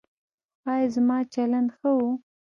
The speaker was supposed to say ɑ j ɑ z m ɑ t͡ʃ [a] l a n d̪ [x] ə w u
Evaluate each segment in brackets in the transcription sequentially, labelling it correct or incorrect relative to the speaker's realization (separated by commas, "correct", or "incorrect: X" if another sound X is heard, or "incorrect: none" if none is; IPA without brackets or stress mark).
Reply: correct, correct